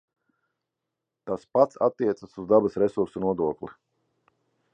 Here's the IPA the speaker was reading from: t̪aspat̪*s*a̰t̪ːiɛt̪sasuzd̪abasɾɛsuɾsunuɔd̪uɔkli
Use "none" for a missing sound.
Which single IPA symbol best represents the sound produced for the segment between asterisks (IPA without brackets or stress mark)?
s